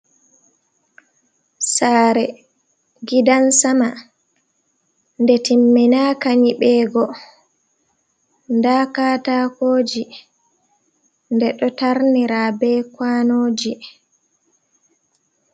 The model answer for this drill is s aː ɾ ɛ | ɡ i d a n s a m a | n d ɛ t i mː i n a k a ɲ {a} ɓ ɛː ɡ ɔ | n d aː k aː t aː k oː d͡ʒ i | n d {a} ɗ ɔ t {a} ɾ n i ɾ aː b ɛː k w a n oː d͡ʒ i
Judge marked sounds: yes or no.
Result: no, no, yes

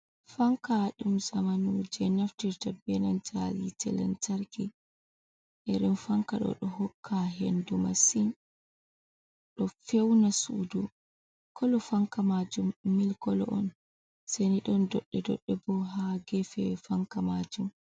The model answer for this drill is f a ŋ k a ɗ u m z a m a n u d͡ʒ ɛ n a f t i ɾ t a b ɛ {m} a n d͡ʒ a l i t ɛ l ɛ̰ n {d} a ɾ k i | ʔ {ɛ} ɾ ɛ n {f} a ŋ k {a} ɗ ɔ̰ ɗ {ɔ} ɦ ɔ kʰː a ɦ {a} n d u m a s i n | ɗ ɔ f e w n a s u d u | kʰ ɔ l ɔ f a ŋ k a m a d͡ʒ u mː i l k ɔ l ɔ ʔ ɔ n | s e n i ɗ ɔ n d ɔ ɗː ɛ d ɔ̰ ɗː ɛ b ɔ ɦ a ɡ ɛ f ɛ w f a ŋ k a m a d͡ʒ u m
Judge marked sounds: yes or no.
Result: no, no, yes, yes, yes, yes, no

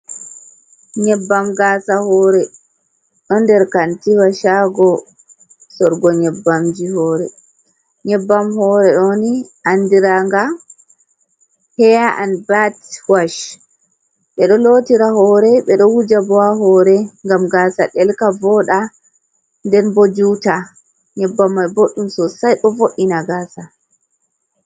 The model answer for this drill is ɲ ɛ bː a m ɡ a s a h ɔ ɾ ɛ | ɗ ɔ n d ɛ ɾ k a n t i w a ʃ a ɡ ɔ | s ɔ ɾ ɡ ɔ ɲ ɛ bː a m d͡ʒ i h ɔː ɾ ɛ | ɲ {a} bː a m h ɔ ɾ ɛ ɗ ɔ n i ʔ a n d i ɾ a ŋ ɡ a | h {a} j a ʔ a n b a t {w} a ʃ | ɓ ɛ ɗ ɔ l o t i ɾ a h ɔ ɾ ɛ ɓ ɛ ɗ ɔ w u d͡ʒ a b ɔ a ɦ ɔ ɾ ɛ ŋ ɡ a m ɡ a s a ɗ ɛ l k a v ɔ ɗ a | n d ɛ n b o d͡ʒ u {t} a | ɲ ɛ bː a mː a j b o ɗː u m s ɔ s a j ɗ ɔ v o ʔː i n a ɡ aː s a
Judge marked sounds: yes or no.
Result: no, no, yes, yes

